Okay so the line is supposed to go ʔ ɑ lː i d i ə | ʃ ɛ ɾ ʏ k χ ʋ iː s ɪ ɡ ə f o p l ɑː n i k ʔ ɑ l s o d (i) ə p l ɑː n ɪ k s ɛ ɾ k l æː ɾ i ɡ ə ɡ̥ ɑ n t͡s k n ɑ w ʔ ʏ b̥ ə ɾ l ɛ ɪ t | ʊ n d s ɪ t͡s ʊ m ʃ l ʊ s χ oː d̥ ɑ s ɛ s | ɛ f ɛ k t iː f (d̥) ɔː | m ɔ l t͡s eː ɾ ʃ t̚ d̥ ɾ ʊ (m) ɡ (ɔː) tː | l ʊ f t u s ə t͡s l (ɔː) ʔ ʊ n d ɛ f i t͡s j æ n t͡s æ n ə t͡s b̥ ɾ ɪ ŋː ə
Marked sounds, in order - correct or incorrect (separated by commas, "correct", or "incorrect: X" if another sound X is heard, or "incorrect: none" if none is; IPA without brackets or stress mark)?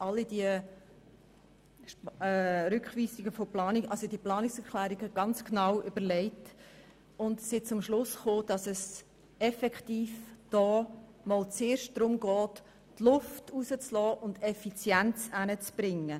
correct, correct, correct, correct, correct